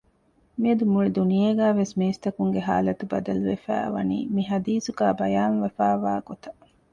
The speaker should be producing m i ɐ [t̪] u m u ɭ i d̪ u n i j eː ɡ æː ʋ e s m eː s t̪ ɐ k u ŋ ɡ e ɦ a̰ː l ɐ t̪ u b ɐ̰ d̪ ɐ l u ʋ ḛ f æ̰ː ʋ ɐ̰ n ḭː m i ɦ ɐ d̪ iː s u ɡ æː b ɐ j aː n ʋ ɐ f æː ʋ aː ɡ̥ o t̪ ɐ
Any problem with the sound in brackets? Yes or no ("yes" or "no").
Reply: yes